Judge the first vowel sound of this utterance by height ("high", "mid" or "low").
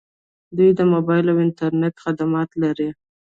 high